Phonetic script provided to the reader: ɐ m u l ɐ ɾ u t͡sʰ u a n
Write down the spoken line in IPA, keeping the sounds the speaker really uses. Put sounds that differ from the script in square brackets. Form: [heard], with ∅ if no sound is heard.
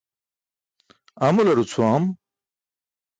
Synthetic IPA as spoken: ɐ m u l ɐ ɾ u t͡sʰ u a [m]